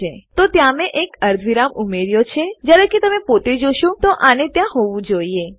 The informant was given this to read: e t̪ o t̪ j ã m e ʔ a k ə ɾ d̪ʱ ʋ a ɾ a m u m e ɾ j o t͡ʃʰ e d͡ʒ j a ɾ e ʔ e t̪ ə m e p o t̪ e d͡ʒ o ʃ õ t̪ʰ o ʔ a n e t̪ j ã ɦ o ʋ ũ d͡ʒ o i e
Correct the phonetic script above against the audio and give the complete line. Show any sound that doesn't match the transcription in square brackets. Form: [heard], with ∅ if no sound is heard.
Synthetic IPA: e t̪ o t̪ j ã m e ʔ [e] k ə ɾ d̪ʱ ʋ [i] ɾ a m u m e ɾ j o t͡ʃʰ e d͡ʒ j a ɾ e [k] e t̪ ə m e p o t̪ e d͡ʒ o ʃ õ [t̪] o ʔ a n e t̪ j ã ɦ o ʋ ũ d͡ʒ o i e